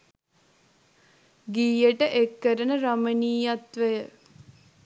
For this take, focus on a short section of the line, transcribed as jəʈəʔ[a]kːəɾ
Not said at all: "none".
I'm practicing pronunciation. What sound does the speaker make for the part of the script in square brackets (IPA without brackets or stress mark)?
e